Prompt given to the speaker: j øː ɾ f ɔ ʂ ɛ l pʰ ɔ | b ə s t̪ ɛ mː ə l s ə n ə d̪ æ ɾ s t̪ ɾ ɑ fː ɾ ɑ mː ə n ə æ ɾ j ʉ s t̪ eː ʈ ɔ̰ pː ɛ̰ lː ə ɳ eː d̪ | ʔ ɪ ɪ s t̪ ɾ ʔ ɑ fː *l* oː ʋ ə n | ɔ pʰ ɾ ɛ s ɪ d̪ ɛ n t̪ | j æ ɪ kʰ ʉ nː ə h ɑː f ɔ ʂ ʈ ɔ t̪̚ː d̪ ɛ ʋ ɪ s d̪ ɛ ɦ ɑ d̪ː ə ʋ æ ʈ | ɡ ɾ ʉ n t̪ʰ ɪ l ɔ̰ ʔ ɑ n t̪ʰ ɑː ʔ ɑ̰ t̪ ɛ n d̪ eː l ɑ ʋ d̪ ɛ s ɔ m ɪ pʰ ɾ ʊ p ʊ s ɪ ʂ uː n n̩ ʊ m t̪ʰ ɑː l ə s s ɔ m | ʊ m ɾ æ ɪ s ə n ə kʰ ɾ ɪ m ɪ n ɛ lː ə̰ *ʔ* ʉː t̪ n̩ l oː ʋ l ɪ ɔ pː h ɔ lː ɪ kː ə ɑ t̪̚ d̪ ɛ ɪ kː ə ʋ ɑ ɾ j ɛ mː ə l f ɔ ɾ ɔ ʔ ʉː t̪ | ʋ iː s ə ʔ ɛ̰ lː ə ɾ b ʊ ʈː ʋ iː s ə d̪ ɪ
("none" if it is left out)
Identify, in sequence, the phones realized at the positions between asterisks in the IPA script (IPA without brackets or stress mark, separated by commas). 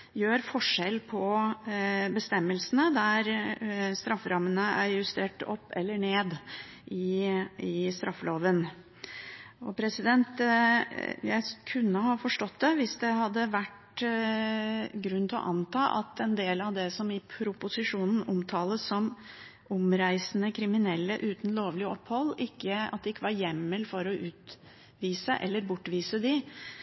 l, ʔ